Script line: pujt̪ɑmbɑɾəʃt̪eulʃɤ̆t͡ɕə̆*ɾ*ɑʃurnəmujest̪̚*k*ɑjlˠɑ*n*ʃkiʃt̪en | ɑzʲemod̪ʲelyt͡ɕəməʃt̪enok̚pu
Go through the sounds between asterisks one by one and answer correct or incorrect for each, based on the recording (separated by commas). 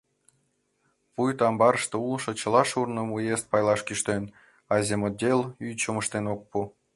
incorrect, incorrect, incorrect